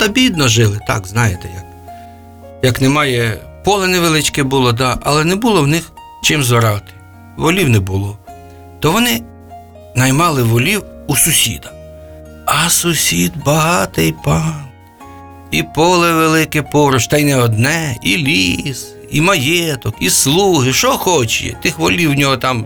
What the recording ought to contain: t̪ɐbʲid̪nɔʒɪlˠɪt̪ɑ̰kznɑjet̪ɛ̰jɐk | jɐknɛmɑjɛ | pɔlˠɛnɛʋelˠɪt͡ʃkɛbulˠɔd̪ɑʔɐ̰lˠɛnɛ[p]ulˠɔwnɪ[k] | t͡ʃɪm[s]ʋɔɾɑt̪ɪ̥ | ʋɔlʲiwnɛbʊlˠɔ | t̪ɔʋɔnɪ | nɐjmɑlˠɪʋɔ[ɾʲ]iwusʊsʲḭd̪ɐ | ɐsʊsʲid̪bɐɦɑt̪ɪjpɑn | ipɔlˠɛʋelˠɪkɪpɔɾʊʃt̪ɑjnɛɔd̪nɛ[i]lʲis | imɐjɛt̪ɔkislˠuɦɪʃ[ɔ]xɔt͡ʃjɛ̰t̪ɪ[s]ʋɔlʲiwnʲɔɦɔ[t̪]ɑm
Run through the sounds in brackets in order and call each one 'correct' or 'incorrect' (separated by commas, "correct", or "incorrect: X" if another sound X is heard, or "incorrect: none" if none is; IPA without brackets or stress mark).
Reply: incorrect: b, incorrect: x, incorrect: z, incorrect: lʲ, correct, correct, incorrect: x, correct